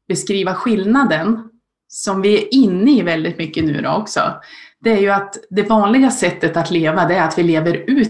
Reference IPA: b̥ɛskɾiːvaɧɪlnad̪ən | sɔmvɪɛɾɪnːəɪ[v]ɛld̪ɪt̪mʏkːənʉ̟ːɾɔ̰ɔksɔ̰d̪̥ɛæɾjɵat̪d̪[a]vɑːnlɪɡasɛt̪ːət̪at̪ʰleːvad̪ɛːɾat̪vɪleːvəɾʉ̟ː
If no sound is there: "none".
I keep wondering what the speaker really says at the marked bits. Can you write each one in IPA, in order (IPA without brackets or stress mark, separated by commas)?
v, ɛ